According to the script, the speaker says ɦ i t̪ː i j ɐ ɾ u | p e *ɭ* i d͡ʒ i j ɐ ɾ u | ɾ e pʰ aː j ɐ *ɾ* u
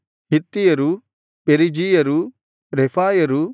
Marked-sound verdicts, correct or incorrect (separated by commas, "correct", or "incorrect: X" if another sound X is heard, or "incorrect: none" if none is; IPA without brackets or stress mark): incorrect: ɾ, correct